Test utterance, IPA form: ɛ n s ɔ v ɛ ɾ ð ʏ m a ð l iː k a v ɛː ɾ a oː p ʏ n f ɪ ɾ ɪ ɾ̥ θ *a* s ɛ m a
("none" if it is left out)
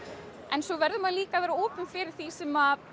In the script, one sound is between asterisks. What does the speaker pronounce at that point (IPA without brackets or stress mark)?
i